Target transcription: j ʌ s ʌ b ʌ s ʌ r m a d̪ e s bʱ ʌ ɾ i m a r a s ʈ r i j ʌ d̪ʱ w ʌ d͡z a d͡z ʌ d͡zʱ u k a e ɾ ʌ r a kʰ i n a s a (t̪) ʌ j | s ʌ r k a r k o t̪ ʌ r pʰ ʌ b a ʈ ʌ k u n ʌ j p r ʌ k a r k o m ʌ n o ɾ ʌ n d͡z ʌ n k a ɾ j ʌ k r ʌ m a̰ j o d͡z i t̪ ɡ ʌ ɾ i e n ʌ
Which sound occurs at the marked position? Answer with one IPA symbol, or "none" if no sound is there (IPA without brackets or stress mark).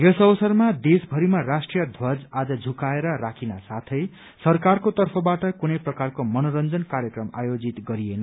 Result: t̪ʰ